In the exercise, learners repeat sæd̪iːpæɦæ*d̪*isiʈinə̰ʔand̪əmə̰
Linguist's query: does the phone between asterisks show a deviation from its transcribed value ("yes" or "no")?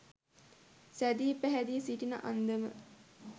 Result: no